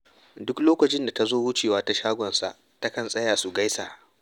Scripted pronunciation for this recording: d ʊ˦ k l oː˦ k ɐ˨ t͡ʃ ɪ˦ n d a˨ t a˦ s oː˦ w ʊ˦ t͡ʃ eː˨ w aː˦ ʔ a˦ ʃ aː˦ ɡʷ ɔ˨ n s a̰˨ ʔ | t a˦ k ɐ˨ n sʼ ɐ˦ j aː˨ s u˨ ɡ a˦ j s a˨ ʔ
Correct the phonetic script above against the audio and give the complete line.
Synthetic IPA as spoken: d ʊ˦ k l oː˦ k ɐ˨ t͡ʃ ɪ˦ n d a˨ t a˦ z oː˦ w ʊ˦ t͡ʃ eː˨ w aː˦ t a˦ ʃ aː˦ ɡʷ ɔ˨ n s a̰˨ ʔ | t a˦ k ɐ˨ n sʼ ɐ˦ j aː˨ s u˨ ɡ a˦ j s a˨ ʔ